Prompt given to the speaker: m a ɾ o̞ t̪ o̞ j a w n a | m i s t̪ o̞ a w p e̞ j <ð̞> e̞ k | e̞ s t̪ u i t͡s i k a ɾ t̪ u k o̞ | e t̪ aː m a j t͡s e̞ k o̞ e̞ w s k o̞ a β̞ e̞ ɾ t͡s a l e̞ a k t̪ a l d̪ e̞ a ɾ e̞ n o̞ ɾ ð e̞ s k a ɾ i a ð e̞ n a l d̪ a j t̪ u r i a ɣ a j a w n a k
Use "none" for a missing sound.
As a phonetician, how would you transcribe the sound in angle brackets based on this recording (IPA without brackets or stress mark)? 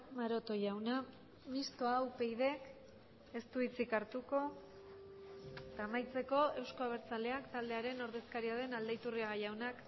ð̞